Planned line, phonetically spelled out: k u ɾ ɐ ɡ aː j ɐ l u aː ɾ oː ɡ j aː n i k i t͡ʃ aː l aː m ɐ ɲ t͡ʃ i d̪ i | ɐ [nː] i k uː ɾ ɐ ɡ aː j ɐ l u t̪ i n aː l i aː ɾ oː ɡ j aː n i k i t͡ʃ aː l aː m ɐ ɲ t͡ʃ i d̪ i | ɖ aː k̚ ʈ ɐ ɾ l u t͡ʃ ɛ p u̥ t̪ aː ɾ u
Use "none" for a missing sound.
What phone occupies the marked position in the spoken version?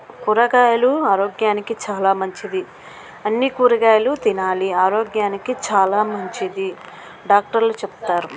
nː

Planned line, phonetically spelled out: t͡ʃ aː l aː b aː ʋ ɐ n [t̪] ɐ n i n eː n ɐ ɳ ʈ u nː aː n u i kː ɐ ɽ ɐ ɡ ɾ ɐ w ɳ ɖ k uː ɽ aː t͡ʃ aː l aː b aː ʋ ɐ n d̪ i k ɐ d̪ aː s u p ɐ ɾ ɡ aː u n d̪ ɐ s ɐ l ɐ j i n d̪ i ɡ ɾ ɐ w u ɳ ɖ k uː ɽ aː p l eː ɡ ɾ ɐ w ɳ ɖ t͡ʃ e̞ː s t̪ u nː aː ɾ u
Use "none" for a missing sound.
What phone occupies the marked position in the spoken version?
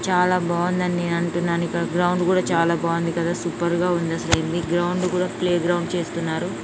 d̪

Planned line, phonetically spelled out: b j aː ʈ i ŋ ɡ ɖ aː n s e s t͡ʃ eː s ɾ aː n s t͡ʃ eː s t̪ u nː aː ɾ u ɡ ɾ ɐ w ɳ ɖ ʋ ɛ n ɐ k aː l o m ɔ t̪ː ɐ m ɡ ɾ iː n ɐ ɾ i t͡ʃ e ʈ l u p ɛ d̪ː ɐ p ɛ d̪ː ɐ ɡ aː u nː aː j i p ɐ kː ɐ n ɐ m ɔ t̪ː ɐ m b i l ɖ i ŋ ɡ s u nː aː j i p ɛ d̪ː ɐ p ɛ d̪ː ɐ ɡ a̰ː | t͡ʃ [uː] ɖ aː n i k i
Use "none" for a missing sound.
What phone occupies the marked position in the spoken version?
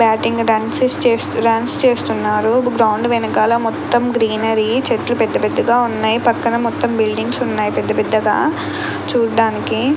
uː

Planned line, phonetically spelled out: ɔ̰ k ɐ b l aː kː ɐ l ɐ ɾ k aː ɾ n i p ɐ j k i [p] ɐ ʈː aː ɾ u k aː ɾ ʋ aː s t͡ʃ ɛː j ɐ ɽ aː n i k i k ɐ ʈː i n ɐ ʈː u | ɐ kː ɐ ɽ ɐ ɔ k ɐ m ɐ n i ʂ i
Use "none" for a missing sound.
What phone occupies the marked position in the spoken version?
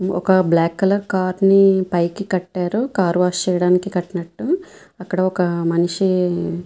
k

